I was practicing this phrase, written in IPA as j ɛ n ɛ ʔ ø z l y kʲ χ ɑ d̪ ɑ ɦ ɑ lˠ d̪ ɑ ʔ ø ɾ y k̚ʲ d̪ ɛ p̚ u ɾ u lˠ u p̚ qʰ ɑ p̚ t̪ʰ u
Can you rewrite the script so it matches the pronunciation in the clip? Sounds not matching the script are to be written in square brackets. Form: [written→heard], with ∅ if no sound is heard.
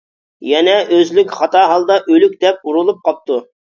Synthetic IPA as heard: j ɛ n ɛ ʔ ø z l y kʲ χ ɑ [d̪→t̪] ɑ ɦ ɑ lˠ d̪ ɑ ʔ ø [ɾ→l] y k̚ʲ d̪ ɛ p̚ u ɾ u lˠ u p̚ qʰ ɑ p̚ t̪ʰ u

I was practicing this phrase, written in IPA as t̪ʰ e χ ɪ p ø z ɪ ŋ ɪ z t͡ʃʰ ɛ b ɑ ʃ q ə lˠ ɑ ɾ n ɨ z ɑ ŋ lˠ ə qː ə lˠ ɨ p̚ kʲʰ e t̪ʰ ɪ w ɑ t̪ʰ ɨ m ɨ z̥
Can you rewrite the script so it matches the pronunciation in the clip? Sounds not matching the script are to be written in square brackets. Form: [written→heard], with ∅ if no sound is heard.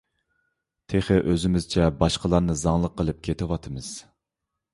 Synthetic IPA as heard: t̪ʰ e χ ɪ [p→ʔ] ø z ɪ [ŋ→m] ɪ z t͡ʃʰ ɛ b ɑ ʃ q ə lˠ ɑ ɾ n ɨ z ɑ ŋ lˠ ə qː ə lˠ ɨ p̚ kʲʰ e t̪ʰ ɪ w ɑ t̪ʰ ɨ m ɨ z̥

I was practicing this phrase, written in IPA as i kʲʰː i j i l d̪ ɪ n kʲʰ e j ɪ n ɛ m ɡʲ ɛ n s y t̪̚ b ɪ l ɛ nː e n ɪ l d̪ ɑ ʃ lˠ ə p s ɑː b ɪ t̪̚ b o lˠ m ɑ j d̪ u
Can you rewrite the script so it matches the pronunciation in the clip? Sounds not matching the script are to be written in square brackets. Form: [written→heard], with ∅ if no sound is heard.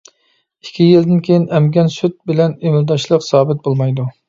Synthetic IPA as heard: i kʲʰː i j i l d̪ ɪ n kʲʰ e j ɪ n ɛ m ɡʲ ɛ n s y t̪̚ b ɪ l ɛ [nː→n] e [n→m] ɪ l d̪ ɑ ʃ lˠ ə [p→q] s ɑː b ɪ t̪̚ b o lˠ m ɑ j d̪ u

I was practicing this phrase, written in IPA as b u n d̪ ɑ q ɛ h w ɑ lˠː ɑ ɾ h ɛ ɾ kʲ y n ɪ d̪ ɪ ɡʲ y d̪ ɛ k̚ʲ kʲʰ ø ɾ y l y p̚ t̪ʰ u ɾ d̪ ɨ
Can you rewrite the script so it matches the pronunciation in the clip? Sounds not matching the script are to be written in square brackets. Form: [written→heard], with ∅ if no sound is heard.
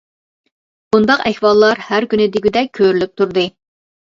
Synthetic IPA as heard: b u n d̪ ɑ q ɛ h w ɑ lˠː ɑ ɾ h [ɛ→æ] ɾ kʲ y n ɪ d̪ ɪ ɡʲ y d̪ ɛ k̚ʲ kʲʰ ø ɾ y l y p̚ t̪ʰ u ɾ d̪ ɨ

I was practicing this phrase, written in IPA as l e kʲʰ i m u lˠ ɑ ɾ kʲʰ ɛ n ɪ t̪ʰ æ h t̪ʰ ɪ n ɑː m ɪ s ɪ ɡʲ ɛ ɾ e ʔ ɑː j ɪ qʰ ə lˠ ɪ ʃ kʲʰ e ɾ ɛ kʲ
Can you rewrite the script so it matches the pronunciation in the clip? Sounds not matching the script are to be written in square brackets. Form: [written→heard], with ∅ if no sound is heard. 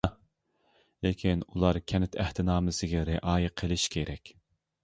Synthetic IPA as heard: l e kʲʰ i [m→n] u lˠ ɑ ɾ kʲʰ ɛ n ɪ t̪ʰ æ h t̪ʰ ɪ n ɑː m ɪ s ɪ ɡʲ ɛ ɾ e ʔ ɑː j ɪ qʰ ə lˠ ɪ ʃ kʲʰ e ɾ ɛ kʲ

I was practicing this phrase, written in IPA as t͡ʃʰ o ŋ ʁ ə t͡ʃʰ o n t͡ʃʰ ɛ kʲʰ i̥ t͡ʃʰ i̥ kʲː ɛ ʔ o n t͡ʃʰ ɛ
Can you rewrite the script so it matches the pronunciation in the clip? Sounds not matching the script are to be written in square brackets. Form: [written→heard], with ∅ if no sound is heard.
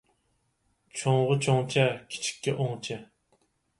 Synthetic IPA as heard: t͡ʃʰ o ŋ ʁ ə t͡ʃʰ o [n→ŋ] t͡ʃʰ ɛ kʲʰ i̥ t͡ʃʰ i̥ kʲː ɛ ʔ o [n→ŋ] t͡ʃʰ ɛ

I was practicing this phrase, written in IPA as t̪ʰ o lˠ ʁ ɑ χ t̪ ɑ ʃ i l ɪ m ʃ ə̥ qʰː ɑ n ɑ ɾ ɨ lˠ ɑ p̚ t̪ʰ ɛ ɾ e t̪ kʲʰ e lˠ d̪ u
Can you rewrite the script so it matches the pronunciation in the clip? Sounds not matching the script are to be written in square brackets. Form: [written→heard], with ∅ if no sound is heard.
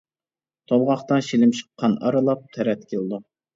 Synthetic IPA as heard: t̪ʰ o lˠ ʁ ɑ χ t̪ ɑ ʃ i l ɪ m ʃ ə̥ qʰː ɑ n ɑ ɾ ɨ lˠ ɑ p̚ t̪ʰ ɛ ɾ [e→ɛ] t̪ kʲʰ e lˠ d̪ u

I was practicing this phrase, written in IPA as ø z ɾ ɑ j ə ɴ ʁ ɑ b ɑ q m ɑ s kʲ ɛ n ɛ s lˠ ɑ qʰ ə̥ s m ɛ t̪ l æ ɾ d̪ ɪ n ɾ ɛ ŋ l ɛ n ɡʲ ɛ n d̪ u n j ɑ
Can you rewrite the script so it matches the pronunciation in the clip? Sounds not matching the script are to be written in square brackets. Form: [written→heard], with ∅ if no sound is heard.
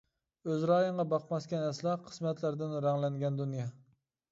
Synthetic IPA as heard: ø z ɾ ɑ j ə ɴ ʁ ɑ b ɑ q m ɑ s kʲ ɛ n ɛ s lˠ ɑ qʰ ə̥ s m ɛ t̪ l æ ɾ d̪ ɪ n ɾ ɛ ŋ l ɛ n ɡʲ ɛ n d̪ u n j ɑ

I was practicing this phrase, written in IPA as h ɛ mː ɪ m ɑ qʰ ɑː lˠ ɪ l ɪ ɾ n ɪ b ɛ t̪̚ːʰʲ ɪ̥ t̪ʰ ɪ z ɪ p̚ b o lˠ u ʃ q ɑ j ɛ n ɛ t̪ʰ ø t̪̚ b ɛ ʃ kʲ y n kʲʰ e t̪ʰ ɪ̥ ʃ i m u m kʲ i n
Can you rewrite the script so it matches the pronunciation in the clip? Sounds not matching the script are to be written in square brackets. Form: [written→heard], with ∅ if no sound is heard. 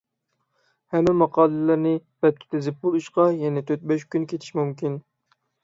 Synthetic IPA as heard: h ɛ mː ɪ m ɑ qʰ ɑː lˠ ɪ l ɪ ɾ n ɪ b ɛ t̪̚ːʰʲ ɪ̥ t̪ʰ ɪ z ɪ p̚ b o lˠ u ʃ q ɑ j ɛ n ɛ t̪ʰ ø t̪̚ b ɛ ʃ kʲ y n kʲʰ e t̪ʰ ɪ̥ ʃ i m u m kʲ i n

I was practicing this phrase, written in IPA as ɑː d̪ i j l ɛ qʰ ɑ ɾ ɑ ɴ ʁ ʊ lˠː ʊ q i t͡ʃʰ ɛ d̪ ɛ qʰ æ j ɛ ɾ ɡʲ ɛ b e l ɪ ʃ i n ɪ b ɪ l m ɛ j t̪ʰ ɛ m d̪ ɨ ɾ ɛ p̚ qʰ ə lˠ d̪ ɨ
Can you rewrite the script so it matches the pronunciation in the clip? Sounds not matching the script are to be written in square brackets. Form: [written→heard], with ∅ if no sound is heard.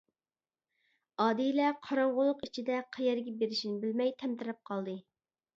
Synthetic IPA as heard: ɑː d̪ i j l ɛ qʰ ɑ ɾ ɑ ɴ ʁ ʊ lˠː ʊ q i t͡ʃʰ [ɛ→i] d̪ ɛ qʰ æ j ɛ ɾ ɡʲ ɛ b e [l→ɾ] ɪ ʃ i n ɪ b ɪ l m ɛ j t̪ʰ ɛ m [d̪→t̪] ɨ ɾ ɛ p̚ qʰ [ə→ɑ] lˠ d̪ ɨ

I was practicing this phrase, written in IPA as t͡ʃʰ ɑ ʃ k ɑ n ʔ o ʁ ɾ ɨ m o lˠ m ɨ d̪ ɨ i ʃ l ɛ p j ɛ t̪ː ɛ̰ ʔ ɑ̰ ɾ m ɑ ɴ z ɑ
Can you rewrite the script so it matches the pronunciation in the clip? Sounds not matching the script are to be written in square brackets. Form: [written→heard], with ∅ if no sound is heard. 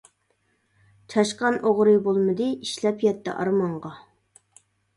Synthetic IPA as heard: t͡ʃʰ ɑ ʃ [k→q] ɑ n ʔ o ʁ ɾ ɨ [m→b] o lˠ m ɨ d̪ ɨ i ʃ l ɛ p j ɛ t̪ː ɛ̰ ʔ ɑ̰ ɾ m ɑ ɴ [z→ʁ] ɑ

